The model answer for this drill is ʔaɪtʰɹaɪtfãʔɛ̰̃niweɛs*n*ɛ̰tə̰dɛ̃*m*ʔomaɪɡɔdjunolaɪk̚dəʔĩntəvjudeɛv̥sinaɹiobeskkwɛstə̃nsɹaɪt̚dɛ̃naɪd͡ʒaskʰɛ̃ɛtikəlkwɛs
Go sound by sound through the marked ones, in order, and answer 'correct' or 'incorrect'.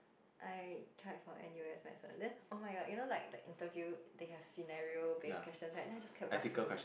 incorrect: m, incorrect: n

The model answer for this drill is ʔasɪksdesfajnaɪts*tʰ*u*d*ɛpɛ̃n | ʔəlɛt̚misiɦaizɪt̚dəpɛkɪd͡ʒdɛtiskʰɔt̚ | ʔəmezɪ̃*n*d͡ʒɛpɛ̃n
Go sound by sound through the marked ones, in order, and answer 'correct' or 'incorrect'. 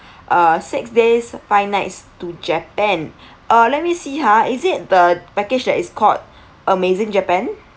incorrect: t, incorrect: d͡ʒ, incorrect: ŋ

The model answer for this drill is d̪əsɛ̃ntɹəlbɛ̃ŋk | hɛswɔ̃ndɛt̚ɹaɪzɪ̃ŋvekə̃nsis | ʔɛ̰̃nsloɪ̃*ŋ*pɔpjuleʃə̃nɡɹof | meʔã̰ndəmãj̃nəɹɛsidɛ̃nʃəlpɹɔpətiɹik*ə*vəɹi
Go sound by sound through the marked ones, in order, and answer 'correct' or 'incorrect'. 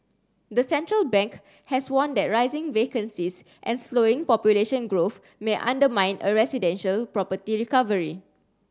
correct, incorrect: a

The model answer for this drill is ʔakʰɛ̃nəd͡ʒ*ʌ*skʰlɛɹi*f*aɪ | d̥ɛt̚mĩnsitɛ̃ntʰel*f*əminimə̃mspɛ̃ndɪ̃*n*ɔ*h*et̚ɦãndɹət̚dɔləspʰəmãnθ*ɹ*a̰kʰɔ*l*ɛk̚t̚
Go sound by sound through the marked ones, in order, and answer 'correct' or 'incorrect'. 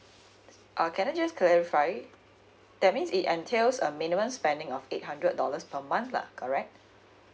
incorrect: ə, correct, incorrect: s, incorrect: ŋ, incorrect: f, incorrect: l, incorrect: ɹ

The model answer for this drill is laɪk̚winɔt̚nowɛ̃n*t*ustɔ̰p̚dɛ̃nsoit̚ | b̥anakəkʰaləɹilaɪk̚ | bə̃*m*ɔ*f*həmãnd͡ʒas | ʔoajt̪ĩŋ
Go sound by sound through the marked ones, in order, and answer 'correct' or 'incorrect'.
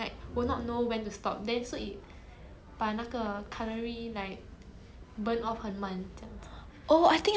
correct, incorrect: n, correct

